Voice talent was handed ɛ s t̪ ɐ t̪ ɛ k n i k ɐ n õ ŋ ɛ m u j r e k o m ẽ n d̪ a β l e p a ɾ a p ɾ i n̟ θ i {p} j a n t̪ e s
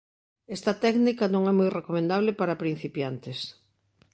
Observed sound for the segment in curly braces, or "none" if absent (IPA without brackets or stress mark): p